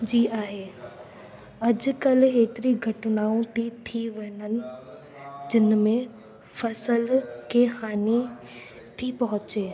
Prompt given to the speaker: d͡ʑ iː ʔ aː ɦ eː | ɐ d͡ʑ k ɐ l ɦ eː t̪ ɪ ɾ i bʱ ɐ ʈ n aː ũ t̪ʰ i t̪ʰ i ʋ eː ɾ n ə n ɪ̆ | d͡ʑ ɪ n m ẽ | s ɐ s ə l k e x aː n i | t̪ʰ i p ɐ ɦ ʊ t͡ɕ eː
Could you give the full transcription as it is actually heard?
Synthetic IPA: d͡ʑ iː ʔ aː ɦ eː | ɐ d͡ʑ k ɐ l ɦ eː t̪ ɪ ɾ i ɡʱ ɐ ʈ n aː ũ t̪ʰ i t̪ʰ i ʋ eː n ə n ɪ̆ | d͡ʑ ɪ n m ẽ | f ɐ s ə l k e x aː n i | t̪ʰ i p ɐ ɦ ʊ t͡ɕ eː

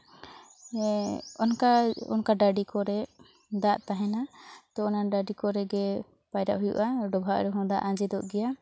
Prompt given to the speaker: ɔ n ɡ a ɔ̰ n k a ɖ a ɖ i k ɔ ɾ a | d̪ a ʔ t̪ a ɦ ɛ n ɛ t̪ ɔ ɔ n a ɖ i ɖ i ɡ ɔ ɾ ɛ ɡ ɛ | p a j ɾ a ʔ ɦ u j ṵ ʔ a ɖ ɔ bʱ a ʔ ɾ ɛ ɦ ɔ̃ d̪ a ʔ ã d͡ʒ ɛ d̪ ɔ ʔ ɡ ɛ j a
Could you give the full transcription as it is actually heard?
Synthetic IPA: ɔ n k a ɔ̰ n k a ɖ a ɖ i k ɔ ɾ ɛ | d̪ a ʔ t̪ a ɦ ɛ n a t̪ ɔ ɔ n a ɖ a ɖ i k ɔ ɾ ɛ ɡ ɛ | p a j ɾ a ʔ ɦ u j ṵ ʔ a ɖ ɔ bʱ a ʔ ɾ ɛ ɦ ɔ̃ d̪ a ʔ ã d͡ʒ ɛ d̪ ɔ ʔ ɡ ɛ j a

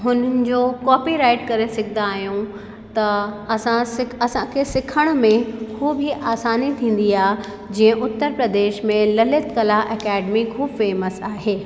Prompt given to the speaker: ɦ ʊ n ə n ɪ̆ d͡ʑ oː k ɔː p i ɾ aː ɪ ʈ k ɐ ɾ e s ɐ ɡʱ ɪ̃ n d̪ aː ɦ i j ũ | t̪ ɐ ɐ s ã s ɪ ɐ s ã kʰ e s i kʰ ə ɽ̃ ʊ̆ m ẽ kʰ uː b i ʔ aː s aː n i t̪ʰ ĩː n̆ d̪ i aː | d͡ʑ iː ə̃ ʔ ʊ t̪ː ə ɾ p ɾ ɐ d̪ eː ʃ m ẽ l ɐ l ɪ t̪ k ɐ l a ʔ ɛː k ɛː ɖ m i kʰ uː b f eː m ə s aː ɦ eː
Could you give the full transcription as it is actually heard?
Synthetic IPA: ɦ ʊ n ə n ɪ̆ d͡ʑ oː k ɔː p i ɾ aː ɪ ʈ k ɐ ɾ e s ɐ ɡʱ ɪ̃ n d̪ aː ɦ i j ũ | t̪ ɐ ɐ s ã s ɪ ɐ s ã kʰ e s ɪ kʰ ə ɽ̃ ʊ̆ m ẽ kʰ uː b i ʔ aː s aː n i t̪ʰ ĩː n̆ d̪ i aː | d͡ʑ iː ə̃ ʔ ʊ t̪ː ə ɾ p ɾ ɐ d̪ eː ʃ m ẽ l ɐ l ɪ t̪ k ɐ l a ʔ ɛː k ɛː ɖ m i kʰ uː b f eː m ə s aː ɦ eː

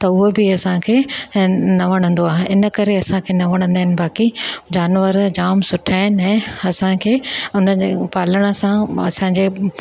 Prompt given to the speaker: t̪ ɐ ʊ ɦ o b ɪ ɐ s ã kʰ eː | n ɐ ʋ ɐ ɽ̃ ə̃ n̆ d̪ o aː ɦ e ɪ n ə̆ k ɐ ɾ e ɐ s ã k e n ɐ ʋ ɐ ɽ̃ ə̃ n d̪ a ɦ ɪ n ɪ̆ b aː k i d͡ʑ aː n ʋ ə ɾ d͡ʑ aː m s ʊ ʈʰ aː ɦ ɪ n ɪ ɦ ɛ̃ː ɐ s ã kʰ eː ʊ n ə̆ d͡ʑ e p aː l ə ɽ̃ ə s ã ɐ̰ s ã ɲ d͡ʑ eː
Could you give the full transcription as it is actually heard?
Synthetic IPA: t̪ ɐ ʊ ɦ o b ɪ ɐ s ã kʰ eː | n ɐ ʋ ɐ ɽ̃ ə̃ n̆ d̪ o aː ɦ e ɪ n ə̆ k ɐ ɾ e ɐ s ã kʰ e n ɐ ʋ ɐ ɽ̃ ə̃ n d̪ a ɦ ɪ n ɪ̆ b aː k i d͡ʑ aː n ʋ ə ɾ d͡ʑ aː m s ʊ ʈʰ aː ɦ ɪ n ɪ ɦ ɛ̃ː ɐ s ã kʰ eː ʊ n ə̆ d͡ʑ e p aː l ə ɽ̃ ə s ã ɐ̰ s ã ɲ d͡ʑ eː

